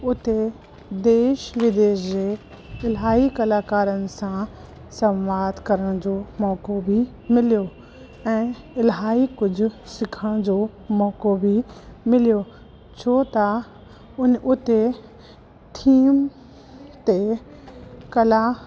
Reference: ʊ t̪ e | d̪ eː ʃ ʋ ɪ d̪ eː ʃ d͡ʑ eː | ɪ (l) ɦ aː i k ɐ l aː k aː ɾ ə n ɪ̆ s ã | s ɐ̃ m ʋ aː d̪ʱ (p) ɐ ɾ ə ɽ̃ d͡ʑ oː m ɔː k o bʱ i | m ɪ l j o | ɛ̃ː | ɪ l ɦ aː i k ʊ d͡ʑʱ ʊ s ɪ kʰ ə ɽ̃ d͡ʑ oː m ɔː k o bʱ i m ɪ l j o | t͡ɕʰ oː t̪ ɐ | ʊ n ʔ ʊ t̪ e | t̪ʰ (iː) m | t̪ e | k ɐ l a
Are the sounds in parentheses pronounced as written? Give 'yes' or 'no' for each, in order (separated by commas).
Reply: yes, no, yes